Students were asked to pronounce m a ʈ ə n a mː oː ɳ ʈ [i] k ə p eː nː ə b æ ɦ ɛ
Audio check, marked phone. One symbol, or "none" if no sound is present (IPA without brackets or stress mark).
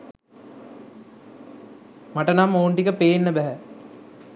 i